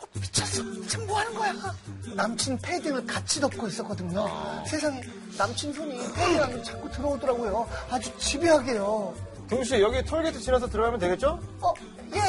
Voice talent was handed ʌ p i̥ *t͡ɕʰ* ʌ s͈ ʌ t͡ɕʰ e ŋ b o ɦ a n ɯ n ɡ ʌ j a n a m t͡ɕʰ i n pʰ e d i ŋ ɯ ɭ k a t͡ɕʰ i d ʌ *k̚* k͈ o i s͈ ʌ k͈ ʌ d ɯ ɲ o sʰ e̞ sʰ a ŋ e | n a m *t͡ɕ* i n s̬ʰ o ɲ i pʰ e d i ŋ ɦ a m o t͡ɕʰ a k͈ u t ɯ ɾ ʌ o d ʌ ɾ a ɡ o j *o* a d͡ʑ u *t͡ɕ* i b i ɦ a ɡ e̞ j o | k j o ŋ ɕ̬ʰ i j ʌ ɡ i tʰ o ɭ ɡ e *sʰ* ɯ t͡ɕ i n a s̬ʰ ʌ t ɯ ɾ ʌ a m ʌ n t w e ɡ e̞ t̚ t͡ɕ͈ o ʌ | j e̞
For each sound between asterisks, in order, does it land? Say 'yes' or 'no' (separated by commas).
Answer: yes, no, no, yes, yes, no